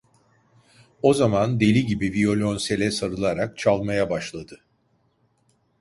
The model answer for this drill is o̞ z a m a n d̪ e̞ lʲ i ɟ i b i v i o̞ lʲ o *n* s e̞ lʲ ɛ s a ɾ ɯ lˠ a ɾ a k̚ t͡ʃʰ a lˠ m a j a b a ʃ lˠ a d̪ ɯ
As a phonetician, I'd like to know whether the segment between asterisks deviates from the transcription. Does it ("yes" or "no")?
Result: no